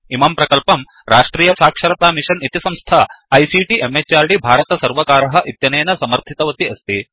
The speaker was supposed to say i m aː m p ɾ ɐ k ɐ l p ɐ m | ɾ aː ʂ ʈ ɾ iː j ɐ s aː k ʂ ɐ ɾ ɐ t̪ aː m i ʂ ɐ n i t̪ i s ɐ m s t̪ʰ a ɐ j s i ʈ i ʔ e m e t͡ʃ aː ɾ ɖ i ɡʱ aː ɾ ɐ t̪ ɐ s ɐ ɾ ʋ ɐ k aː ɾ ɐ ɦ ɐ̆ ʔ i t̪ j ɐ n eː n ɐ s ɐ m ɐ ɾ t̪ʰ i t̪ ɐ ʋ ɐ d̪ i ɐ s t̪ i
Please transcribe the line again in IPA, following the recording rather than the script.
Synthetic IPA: i m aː m p ɾ ɐ k ɐ l p ɐ m | ɾ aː ʂ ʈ ɾ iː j ɐ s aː k ʂ ɐ ɾ ɐ t̪ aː m i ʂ ɐ n i t̪ i s ɐ m s t̪ʰ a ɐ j s i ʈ i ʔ e m e t͡ʃ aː ɾ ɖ i bʱ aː ɾ ɐ t̪ ɐ s ɐ ɾ ʋ ɐ k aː ɾ ɐ ɦ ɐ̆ ʔ i t̪ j ɐ n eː n ɐ s ɐ m ɐ ɾ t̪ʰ i t̪ ɐ ʋ ɐ t̪ i ɐ s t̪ i